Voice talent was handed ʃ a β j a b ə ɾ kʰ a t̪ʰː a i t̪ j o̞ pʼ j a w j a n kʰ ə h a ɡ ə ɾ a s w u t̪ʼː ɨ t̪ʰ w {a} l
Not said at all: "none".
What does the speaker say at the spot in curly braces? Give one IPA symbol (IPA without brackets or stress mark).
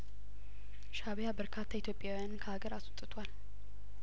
a